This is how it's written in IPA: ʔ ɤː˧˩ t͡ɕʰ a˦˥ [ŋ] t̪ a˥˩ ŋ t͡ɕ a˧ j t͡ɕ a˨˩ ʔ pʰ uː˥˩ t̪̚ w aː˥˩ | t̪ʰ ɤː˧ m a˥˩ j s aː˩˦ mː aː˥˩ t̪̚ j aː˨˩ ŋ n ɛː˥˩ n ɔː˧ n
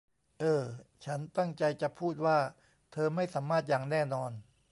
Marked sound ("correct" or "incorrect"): incorrect